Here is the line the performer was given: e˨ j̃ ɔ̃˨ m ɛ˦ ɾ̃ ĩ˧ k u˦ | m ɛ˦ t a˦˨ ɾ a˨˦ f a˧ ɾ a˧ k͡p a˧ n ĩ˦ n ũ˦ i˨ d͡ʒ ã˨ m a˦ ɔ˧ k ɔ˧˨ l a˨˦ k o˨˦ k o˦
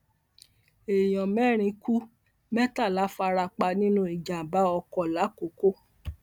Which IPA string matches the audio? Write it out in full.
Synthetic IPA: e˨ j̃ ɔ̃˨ m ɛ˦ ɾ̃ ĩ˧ k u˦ | m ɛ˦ t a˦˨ l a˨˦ f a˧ ɾ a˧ k͡p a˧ n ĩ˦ n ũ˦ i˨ d͡ʒ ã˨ b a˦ ɔ˧ k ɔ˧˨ l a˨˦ k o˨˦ k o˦